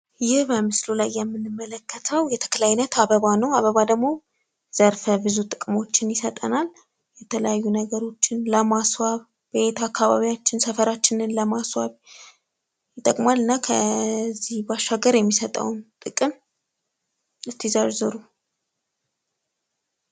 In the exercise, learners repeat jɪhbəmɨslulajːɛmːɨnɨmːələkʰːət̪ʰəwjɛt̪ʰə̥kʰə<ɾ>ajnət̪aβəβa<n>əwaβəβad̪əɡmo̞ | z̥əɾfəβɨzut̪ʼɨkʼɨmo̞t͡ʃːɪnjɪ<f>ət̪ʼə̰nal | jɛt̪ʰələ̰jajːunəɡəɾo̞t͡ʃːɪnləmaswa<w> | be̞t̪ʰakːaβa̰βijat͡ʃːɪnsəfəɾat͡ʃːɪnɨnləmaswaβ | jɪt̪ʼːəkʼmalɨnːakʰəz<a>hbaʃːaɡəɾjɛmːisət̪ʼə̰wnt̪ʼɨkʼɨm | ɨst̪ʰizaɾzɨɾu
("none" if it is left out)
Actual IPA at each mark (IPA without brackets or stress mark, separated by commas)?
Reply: l, n, s, β, i